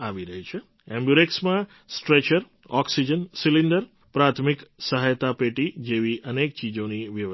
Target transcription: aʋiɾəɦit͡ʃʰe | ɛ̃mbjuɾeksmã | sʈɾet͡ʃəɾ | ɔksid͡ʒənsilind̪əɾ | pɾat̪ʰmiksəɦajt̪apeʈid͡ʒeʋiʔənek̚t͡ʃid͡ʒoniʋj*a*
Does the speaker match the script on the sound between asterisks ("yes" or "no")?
no